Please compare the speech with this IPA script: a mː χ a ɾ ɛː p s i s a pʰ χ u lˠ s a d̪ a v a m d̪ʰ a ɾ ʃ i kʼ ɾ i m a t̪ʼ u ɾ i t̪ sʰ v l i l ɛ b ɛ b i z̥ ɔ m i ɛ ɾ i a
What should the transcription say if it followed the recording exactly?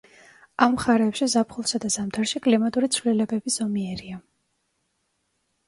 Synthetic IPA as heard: a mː χ a ɾ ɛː p ʃ i z a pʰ χ u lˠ s a d̪ a z a m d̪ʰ a ɾ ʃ i kʼ l i m a t̪ʼ u ɾ i t̪ sʰ v l i l ɛ b ɛ b i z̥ ɔ m i ɛ ɾ i a